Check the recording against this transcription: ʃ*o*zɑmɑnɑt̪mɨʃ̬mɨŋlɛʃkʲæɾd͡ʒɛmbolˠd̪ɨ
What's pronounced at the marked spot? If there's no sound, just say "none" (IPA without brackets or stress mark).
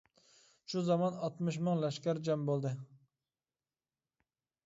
u